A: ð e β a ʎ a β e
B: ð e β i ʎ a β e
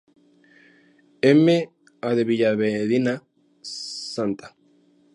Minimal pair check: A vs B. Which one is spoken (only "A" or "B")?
B